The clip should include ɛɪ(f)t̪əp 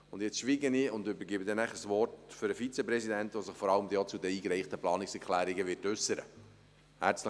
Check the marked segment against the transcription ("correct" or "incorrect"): incorrect